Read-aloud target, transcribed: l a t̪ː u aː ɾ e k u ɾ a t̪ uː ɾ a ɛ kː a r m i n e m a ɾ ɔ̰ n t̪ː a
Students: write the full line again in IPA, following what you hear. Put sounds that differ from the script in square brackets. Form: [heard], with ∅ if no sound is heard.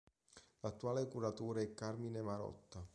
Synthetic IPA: l a t̪ː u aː [l] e k u ɾ a t̪ uː ɾ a ɛ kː a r m i n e m a ɾ ɔ̰ [∅] t̪ː a